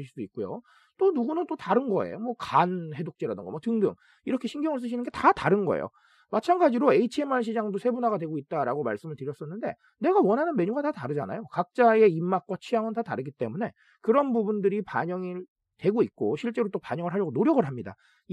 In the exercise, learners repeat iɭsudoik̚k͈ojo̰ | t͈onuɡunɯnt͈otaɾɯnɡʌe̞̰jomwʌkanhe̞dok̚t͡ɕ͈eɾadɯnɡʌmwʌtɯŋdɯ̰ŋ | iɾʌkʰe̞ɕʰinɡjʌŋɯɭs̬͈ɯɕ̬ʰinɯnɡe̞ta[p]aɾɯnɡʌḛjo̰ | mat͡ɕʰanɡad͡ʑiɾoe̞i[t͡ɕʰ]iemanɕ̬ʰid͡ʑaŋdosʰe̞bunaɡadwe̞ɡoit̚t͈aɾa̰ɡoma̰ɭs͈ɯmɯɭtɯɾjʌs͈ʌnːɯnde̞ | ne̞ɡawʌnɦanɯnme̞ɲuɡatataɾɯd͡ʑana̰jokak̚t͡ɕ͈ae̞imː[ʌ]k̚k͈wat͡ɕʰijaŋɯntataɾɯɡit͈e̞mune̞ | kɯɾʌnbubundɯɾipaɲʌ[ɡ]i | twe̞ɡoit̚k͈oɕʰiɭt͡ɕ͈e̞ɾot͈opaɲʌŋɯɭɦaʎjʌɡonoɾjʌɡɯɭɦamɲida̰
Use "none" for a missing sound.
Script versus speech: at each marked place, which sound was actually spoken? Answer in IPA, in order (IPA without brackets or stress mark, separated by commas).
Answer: t, t͡ɕʰ, a, ŋ